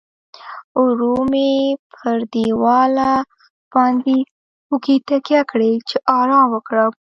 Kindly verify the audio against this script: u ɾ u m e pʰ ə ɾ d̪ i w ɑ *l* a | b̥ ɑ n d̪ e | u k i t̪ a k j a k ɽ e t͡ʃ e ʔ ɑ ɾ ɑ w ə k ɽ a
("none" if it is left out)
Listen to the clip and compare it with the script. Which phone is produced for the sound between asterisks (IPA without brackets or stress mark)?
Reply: l